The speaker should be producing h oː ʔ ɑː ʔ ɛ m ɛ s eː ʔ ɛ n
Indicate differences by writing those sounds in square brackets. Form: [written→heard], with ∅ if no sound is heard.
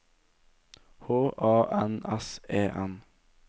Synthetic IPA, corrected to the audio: h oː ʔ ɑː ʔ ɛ [m→n] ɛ s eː ʔ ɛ n